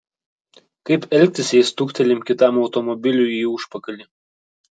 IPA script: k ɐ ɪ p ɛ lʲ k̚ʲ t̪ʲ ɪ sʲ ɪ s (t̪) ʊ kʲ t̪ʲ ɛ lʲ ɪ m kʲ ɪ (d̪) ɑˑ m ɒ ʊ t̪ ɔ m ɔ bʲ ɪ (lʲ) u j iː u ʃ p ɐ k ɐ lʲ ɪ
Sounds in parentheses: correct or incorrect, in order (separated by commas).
correct, incorrect, correct